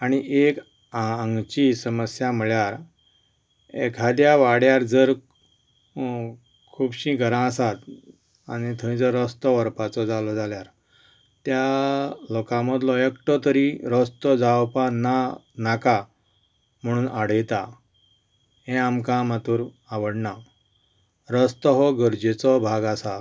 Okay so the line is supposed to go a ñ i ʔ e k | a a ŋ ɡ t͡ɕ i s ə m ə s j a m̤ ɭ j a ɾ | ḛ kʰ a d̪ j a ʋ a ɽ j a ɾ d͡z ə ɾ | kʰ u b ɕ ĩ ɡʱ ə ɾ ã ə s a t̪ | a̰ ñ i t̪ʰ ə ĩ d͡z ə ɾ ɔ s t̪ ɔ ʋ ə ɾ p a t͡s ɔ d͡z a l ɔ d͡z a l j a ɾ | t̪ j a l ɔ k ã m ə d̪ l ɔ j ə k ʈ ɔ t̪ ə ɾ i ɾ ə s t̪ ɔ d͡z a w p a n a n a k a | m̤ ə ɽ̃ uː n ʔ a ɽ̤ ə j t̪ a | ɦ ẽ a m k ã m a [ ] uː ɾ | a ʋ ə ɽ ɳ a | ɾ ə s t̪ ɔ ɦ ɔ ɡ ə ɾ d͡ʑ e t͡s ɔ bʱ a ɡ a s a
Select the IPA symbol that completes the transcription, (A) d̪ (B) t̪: B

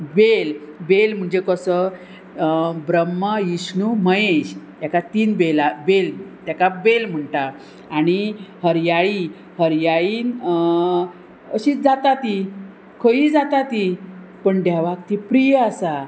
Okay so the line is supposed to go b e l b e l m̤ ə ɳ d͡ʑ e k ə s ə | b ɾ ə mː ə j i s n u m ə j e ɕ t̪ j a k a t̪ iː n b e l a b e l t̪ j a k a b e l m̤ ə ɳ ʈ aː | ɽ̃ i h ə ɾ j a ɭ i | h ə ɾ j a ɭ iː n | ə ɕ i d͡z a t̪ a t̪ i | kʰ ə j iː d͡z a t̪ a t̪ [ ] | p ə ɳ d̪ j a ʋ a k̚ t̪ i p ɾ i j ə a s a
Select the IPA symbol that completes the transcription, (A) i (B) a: A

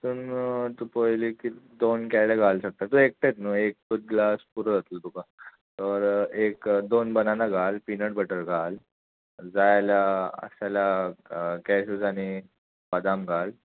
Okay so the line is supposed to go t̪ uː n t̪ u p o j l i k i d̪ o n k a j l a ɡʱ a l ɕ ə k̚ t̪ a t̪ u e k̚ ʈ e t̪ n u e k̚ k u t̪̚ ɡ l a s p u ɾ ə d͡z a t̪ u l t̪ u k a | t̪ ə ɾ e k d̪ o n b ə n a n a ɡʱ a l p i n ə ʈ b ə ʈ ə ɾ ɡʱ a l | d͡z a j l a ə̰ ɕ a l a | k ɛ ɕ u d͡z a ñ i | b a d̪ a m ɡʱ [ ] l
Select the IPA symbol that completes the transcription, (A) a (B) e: A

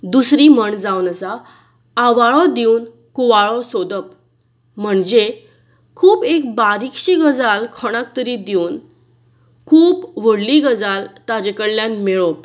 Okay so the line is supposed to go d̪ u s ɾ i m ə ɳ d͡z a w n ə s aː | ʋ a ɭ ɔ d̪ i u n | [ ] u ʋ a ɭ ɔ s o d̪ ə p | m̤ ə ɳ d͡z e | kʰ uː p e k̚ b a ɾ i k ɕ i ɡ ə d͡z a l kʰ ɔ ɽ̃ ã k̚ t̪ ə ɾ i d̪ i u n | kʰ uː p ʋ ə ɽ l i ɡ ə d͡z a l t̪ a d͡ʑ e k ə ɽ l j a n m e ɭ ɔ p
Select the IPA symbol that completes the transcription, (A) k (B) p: A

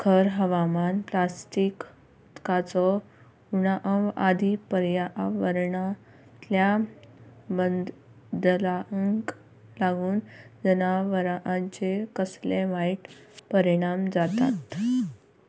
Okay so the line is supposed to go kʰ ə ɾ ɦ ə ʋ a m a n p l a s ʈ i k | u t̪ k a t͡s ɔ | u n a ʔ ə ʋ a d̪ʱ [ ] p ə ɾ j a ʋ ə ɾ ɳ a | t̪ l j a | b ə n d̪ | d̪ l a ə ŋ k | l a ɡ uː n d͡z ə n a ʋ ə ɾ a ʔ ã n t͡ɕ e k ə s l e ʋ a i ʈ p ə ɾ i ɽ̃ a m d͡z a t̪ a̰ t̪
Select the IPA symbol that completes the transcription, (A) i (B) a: A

